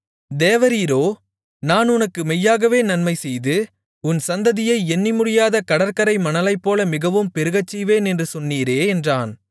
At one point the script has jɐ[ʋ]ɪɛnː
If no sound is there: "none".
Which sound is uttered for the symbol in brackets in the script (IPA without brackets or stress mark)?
none